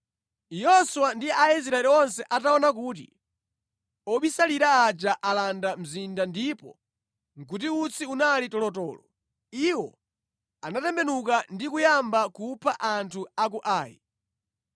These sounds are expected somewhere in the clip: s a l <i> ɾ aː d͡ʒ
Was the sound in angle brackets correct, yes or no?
yes